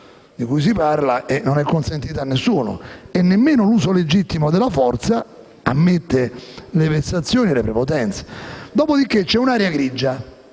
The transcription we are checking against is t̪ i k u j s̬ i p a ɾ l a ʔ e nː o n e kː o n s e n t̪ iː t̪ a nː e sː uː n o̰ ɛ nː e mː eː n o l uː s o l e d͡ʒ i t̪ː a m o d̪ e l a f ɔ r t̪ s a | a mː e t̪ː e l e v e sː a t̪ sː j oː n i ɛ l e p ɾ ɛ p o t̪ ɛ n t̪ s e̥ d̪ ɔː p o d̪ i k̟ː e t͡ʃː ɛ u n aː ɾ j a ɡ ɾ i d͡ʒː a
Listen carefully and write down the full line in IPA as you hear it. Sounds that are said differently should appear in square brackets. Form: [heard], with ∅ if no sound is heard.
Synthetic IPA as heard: [d̪] i k u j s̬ i p a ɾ l a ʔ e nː o n [ɛ] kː o n s e n t̪ iː t̪ a nː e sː uː n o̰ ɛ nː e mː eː n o l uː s o l e d͡ʒ i t̪ː [i] m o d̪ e l a f ɔ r t̪ s a | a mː e t̪ː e l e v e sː a t̪ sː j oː n i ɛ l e p ɾ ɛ p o t̪ ɛ n t̪ s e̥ d̪ ɔː p o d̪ i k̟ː e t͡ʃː ɛ u n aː ɾ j a ɡ ɾ i d͡ʒː a